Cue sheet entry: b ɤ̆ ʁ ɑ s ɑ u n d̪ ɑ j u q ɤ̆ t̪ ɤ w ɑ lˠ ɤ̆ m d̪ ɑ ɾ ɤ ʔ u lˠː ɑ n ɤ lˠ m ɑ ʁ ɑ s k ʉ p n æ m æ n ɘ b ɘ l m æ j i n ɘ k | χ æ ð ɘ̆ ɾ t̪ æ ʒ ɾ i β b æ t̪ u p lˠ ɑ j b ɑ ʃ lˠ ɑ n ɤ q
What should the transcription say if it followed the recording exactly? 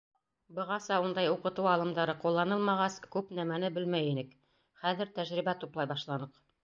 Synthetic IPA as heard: b ɤ̆ ʁ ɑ s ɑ u n d̪ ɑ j u q ɤ̆ t̪ ɤ w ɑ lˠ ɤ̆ m d̪ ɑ ɾ ɤ q u lˠː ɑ n ɤ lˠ m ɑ ʁ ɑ s k ʉ p n æ m æ n ɘ b ɘ l m æ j i n ɘ k | χ æ ð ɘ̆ ɾ t̪ æ ʒ ɾ i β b æ t̪ u p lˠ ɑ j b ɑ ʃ lˠ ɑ n ɤ q